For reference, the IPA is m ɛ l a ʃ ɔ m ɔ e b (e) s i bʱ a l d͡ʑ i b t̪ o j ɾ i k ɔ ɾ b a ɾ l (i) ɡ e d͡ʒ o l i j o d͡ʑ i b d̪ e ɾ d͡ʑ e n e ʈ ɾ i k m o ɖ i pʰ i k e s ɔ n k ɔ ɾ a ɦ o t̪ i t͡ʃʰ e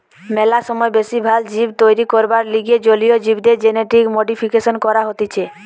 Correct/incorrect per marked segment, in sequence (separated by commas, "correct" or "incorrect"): correct, correct